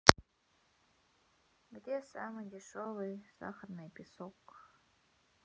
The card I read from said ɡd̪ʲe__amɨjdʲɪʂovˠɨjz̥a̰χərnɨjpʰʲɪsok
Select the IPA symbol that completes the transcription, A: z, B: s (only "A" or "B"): B